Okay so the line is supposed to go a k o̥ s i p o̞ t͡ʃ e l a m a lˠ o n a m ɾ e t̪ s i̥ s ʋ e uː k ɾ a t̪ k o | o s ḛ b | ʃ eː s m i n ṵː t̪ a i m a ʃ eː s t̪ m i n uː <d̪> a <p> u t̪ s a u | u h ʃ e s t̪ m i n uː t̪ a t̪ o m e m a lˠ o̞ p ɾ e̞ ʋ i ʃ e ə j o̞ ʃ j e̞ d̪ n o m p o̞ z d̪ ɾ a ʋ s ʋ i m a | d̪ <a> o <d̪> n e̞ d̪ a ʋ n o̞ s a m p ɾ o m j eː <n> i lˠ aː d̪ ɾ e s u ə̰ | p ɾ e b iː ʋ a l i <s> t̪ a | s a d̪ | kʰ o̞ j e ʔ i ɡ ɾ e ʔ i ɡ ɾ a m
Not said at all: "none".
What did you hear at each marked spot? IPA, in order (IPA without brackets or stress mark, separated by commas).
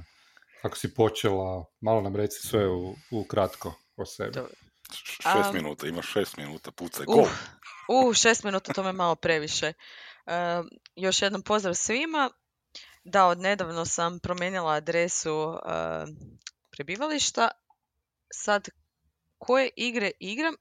t̪, p, a, d̪, n, ʃ